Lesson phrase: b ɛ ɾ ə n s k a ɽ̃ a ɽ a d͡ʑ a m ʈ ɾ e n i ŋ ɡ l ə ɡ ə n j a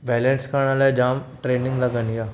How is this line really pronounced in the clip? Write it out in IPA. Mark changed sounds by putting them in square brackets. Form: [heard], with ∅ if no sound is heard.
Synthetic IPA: b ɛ [l] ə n s k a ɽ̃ a [l] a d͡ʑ a m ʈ ɾ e n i ŋ ɡ l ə ɡ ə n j a